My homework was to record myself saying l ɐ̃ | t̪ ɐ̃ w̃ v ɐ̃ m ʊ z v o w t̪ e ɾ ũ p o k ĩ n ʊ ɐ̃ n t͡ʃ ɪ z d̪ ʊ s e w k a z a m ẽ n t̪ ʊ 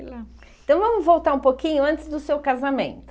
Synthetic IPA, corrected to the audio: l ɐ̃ | t̪ ɐ̃ w̃ v ɐ̃ m ʊ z v o w t̪ a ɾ ũ p o k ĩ ɲ ʊ ɐ̃ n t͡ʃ ɪ z d̪ ʊ s e w k a z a m ẽ n t̪ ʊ